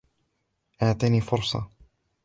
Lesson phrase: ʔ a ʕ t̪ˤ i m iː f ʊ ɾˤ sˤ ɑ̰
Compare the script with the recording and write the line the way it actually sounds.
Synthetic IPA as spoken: ʔ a ʕ t̪ˤ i n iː f ʊ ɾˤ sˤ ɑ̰